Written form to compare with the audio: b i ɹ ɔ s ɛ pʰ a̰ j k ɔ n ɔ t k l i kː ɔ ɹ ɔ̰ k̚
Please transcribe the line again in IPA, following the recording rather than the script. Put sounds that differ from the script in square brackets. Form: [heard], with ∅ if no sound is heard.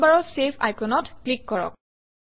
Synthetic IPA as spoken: b [a] ɹ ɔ s [e] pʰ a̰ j k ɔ n ɔ t k l i kː ɔ ɹ ɔ̰ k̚

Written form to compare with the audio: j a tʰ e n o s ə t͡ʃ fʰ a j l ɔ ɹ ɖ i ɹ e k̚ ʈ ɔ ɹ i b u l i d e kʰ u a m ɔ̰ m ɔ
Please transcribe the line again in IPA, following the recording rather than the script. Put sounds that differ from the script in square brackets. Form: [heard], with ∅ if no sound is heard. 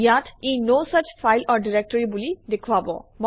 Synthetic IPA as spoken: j a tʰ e n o s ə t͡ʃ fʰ a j l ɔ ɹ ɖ i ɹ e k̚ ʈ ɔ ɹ i b u l i d e kʰ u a [b] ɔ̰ m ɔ

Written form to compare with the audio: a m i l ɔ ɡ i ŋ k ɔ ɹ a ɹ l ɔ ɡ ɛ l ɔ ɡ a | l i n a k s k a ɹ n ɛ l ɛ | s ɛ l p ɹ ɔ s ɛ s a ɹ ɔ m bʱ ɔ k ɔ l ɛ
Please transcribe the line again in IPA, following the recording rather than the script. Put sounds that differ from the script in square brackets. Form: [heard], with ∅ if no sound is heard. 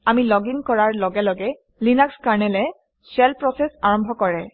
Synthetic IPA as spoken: a m i l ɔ ɡ i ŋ k ɔ ɹ a ɹ l ɔ ɡ ɛ l ɔ ɡ [ɛ] | l i n a k s k a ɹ n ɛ l ɛ | s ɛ l p ɹ ɔ s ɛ s a ɹ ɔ m bʱ ɔ k ɔ [ɹ] ɛ

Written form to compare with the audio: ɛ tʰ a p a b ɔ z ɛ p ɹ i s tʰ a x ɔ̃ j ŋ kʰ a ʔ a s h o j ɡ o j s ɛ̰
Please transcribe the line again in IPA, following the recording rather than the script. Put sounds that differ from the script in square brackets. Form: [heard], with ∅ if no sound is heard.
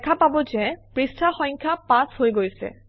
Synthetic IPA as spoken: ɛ [kʰ] a p a b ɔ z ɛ p ɹ i s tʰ a x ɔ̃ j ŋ kʰ a [p] a s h o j ɡ o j s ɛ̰

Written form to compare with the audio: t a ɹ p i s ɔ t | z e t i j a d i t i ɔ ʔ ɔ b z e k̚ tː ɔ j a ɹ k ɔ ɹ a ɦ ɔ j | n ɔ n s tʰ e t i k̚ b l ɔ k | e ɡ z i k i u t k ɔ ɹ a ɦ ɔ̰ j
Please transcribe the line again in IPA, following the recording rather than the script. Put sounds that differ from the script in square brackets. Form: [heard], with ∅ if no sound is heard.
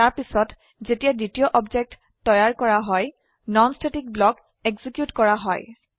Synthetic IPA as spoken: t a ɹ p i s ɔ t | z e t i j a d i t i ɔ ʔ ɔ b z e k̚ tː ɔ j a ɹ k ɔ ɹ a ɦ ɔ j | n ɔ n s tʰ e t i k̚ b l ɔ k | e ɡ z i k [j] u t k ɔ ɹ a ɦ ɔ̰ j

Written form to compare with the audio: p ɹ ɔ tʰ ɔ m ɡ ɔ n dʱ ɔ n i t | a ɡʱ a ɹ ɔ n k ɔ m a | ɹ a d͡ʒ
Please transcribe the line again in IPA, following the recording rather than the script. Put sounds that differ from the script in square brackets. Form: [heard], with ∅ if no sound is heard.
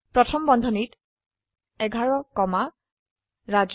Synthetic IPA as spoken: p ɹ ɔ tʰ ɔ m [b] ɔ n dʱ ɔ n i t | [ɛ] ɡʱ a ɹ ɔ [∅] k ɔ m a | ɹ a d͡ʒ

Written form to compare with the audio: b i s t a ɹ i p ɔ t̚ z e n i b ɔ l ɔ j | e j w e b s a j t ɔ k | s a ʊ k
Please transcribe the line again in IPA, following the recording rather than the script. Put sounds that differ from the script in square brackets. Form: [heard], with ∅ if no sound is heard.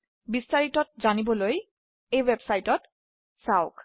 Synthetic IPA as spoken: b i s t a ɹ i [t] ɔ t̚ z [a] n i b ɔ l [o] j | e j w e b s a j t ɔ [t] | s a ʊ k

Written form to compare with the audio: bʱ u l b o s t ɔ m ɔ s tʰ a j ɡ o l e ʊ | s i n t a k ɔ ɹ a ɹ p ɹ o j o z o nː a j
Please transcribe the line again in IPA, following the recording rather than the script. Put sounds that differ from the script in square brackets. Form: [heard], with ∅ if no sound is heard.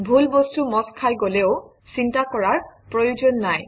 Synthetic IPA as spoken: bʱ u l b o s t [u] m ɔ s [kʰ] a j ɡ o l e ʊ | s i n t a k ɔ ɹ a ɹ p ɹ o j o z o nː a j

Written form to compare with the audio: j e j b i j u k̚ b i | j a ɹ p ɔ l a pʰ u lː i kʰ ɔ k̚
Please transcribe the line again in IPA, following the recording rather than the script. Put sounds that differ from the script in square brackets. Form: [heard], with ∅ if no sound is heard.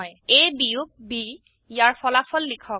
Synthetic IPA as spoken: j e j b i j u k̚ b i | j a ɹ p ɔ l a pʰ [ɔ] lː i kʰ ɔ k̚

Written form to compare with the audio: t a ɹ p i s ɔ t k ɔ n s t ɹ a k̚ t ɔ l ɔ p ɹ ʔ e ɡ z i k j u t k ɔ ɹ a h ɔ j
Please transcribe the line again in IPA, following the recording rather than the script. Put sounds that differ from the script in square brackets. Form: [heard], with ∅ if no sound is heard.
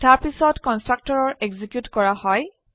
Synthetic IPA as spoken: t a ɹ p i s ɔ t k ɔ n s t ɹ a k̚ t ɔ [ɹ] ɔ [∅] ɹ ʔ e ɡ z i k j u t k ɔ ɹ a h ɔ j

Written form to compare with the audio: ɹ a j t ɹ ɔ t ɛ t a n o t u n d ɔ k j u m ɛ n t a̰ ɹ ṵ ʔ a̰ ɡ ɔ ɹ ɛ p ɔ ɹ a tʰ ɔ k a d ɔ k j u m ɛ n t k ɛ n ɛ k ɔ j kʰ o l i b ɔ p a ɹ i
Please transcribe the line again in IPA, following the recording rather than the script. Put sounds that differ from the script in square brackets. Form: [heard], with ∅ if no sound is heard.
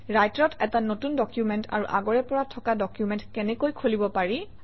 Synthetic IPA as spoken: ɹ a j t ɹ ɔ t ɛ t a n o t u n d ɔ k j u m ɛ n t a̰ ɹ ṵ ʔ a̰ ɡ ɔ ɹ ɛ p ɔ ɹ a tʰ ɔ k a d ɔ k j u m ɛ n t k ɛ n ɛ k [o] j kʰ o l i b ɔ p a ɹ i

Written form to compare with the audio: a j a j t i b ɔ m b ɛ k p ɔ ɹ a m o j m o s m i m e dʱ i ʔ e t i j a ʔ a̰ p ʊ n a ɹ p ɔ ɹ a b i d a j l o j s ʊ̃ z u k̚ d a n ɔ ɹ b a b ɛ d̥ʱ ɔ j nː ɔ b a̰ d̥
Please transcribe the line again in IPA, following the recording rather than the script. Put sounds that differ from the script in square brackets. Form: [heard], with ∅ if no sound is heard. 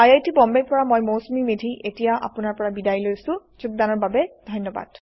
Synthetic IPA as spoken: a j a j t i b ɔ m b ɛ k p ɔ ɹ a m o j m o s m i m e dʱ i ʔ e t i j a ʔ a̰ p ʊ n a ɹ p ɔ ɹ a b i d a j l o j s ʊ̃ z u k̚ d a n ɔ ɹ b a b ɛ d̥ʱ ɔ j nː ɔ b a̰ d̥

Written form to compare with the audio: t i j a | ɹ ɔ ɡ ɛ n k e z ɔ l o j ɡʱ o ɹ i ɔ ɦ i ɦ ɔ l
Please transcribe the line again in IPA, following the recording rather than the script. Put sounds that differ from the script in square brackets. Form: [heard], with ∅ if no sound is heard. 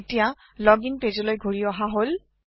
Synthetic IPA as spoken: t i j a | [l] ɔ ɡ [i] n [p] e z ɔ l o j ɡʱ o ɹ i ɔ ɦ [a] ɦ [o] l

